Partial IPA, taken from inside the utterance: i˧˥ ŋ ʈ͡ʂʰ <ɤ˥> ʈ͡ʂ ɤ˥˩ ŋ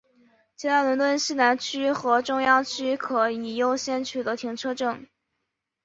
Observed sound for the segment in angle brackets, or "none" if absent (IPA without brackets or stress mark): ɤ˥